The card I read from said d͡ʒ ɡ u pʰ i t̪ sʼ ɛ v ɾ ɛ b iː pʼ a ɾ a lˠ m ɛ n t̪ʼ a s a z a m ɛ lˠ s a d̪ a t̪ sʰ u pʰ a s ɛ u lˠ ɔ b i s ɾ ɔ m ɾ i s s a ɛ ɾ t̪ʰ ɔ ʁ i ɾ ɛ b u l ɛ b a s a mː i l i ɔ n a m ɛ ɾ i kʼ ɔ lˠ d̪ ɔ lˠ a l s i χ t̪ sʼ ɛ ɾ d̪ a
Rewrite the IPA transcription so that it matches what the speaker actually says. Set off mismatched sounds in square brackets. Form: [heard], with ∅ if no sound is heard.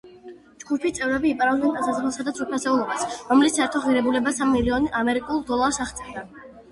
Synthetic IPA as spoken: d͡ʒ ɡ u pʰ i t̪ sʼ ɛ v ɾ ɛ b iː pʼ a ɾ a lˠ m ɛ n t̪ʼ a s a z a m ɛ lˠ s a d̪ a t̪ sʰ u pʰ a s ɛ u lˠ ɔ b [a] s ɾ ɔ m [l] i s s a ɛ ɾ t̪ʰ ɔ ʁ i ɾ ɛ b u l ɛ b a s a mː i l i ɔ n a m ɛ ɾ i kʼ [u] lˠ d̪ ɔ lˠ a [ɾ] s [a] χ t̪ sʼ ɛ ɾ d̪ a